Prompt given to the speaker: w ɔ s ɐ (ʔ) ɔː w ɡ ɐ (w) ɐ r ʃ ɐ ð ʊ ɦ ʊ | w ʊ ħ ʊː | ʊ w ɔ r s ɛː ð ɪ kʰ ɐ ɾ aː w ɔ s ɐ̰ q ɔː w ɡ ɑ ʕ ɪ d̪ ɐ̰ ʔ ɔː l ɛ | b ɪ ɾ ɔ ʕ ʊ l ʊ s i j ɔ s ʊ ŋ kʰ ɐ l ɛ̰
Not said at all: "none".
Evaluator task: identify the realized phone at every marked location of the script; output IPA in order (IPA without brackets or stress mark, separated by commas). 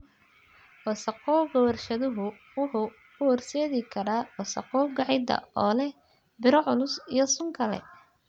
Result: q, w